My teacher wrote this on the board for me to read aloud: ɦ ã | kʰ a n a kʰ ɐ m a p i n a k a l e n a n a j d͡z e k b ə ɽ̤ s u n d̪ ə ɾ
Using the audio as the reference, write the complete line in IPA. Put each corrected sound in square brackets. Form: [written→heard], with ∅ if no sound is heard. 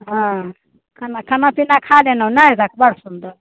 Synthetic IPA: ɦ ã | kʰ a n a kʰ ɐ [m→n] a p i n a [k→kʰ] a l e n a n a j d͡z [e→a] k b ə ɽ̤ s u n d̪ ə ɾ